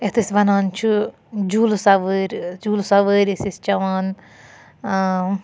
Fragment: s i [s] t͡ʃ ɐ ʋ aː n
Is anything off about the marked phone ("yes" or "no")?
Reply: no